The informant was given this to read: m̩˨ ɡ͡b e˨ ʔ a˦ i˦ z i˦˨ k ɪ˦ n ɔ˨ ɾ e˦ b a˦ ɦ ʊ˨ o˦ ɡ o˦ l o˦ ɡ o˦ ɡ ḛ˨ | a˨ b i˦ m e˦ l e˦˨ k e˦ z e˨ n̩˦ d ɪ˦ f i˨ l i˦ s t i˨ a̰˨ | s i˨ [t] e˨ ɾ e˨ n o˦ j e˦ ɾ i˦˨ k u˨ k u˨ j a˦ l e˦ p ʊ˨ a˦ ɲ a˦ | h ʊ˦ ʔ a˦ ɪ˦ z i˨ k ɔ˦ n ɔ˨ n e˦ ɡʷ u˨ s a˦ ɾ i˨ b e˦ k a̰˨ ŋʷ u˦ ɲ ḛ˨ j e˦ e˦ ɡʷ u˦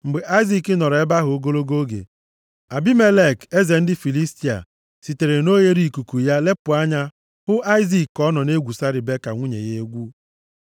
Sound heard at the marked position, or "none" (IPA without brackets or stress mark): t